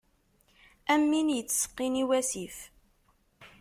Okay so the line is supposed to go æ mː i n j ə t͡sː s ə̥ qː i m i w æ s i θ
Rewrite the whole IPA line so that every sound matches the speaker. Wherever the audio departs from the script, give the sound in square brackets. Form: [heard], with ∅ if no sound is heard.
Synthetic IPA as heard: æ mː i n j ə t͡sː s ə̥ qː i [n] i w æ s i [f]